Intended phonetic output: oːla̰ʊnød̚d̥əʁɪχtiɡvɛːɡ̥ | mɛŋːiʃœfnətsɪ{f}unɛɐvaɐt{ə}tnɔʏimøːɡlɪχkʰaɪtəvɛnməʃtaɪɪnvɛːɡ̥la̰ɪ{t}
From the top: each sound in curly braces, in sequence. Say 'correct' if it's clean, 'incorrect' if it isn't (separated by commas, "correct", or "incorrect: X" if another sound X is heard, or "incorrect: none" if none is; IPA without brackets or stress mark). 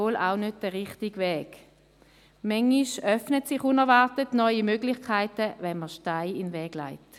incorrect: χ, correct, correct